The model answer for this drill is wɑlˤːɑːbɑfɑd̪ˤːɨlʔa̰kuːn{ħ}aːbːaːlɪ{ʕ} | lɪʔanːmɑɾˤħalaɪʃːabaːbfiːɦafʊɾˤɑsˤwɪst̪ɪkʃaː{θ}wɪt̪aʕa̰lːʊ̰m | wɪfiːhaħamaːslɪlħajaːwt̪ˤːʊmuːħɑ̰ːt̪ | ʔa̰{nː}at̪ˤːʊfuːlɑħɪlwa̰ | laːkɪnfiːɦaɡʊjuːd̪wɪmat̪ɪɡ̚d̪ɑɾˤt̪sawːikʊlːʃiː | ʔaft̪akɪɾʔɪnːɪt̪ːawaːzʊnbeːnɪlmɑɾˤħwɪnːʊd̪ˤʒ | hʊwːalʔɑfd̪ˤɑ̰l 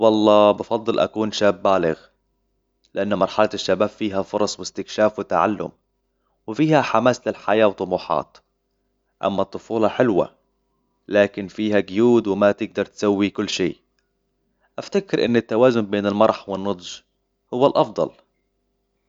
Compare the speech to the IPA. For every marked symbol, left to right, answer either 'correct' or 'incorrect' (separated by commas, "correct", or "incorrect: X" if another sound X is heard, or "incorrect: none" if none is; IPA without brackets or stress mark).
incorrect: ʃ, incorrect: ɣ, incorrect: f, incorrect: mː